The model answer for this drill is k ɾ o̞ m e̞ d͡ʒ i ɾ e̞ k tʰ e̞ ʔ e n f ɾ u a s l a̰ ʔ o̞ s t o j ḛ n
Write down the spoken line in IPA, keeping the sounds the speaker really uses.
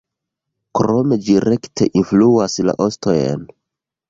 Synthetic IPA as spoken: k ɾ o̞ m e̞ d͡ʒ i ɾ e̞ k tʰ e̞ ʔ i n f l u a s l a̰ ʔ o̞ s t o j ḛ n